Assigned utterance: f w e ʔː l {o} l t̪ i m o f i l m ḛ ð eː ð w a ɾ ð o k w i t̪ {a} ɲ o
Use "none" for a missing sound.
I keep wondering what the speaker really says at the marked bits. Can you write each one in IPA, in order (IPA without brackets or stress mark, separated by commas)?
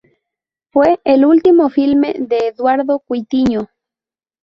u, i